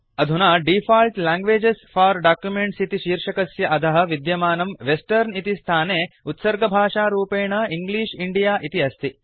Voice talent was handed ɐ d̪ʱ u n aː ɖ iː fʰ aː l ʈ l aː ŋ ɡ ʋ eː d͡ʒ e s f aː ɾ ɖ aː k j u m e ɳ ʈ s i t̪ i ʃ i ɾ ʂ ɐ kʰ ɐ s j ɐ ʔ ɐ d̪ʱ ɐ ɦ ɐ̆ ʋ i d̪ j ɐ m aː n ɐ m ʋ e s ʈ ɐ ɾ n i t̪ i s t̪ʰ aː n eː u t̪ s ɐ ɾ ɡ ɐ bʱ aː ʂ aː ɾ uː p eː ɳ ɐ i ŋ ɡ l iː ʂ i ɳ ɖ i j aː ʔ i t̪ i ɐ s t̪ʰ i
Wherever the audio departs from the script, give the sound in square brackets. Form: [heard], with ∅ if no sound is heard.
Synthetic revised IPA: ɐ d̪ʱ u n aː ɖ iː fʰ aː l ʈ l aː ŋ ɡ ʋ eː d͡ʒ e s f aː ɾ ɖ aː k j u m e ɳ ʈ s i t̪ i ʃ [iː] ɾ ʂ ɐ [k] ɐ s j ɐ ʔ ɐ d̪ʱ ɐ ɦ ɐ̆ ʋ i d̪ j ɐ m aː n ɐ m ʋ e s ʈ ɐ ɾ n i t̪ i s t̪ʰ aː n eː u t̪ s ɐ ɾ ɡ ɐ bʱ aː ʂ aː ɾ uː p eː ɳ ɐ i ŋ ɡ l iː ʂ i ɳ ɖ i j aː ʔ i t̪ i ɐ s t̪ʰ i